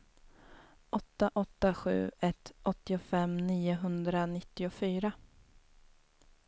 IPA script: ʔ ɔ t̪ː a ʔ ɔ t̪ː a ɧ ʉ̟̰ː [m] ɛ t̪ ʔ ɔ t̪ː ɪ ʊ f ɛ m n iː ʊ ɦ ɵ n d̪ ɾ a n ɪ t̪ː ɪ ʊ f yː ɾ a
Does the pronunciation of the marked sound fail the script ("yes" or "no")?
yes